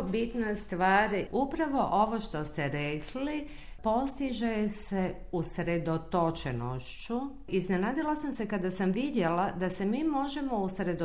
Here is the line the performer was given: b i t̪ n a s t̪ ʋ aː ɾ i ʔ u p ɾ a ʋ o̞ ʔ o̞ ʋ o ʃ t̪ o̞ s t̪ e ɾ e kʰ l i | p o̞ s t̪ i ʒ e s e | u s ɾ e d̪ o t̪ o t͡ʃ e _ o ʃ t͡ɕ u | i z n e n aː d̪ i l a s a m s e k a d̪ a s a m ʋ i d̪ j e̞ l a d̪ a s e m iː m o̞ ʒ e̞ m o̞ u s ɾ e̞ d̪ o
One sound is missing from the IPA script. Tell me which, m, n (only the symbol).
n